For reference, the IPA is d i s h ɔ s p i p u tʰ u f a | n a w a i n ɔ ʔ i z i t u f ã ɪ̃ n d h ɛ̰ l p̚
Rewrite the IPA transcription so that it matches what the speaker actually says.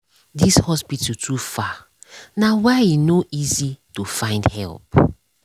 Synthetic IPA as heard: d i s h ɔ s p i t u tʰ u f a | n a w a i n o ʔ i z i t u f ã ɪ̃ n d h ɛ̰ l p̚